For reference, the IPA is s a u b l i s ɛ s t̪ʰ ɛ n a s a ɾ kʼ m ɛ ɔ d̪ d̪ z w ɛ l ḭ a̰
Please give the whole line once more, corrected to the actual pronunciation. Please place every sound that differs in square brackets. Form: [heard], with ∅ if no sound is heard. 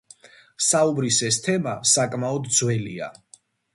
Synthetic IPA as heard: s a u b [ɾ] i s ɛ s t̪ʰ ɛ [m] a s a [∅] kʼ m [a] ɔ d̪ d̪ z w ɛ l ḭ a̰